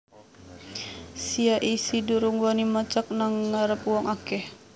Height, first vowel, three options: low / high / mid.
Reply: high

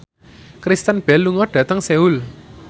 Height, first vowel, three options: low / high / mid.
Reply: high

